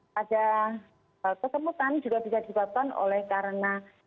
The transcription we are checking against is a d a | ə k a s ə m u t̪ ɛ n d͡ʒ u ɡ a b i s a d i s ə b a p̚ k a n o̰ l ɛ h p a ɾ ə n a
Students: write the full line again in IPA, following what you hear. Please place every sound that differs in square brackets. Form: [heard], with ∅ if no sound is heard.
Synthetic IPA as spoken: a d a | ə k [ə] s ə m u t̪ [a] n d͡ʒ u ɡ a b i s a d i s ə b a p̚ k a n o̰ l ɛ h [k] a ɾ ə n a